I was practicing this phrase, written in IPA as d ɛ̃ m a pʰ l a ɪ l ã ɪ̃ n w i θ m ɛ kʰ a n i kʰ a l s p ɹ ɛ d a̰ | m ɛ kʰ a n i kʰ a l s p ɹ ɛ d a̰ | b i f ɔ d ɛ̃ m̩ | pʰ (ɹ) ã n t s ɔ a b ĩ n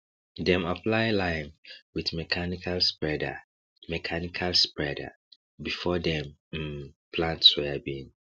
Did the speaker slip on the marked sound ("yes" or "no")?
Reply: yes